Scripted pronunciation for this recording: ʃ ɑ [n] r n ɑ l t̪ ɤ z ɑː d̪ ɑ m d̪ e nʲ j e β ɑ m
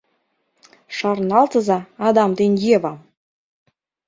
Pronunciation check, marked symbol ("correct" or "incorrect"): incorrect